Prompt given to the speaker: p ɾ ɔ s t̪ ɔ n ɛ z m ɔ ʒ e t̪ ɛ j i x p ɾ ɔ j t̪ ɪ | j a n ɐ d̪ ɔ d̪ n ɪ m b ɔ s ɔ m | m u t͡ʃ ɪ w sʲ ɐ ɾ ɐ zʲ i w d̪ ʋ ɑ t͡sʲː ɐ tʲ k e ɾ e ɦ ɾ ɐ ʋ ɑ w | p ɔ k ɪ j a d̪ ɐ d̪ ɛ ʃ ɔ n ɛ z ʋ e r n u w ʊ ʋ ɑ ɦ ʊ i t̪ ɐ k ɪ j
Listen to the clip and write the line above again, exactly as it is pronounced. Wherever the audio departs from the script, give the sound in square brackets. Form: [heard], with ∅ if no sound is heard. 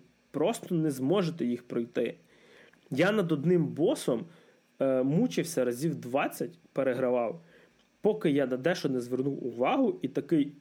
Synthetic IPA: p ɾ ɔ s t̪ ɔ n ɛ z m ɔ ʒ e t̪ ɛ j i x p ɾ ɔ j t̪ ɪ | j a n ɐ d̪ ɔ d̪ n ɪ m b ɔ s ɔ m | m u t͡ʃ ɪ w sʲ ɐ ɾ ɐ zʲ i w d̪ ʋ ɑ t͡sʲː ɐ tʲ [p] e ɾ e ɦ ɾ ɐ ʋ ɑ w | p ɔ k ɪ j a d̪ ɐ d̪ ɛ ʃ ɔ n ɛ z ʋ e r n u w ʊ ʋ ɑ ɦ ʊ i t̪ ɐ k ɪ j